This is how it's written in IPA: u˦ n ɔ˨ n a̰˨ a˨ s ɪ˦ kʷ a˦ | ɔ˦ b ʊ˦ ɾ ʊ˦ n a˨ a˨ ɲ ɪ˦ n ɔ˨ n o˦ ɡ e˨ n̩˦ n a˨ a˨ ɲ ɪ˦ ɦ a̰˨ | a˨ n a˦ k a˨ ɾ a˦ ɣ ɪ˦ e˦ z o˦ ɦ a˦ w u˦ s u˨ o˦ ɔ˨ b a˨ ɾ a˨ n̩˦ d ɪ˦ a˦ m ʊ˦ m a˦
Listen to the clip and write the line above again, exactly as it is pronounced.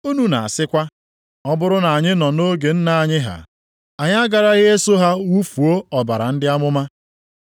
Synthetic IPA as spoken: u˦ n u˨ n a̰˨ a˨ s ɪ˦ kʷ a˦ | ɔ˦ b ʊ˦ ɾ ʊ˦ n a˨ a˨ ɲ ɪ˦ n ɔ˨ n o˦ ɡ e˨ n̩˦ n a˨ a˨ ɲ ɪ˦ ɦ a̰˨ | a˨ ɲ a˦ ɡ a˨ ɾ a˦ ɣ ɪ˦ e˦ s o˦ ɦ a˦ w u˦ f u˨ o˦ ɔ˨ b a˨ ɾ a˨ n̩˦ d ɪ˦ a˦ m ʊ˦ m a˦